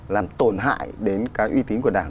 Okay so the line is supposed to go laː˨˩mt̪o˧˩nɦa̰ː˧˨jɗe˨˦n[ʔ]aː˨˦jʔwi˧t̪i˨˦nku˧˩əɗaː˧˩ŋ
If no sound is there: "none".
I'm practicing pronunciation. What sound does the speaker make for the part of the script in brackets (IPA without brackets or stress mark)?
k